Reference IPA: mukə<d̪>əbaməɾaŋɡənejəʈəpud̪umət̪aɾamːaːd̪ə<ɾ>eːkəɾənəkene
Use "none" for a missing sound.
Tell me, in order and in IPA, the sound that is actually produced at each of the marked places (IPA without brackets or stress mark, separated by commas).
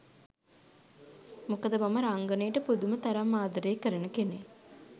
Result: d̪, ɾ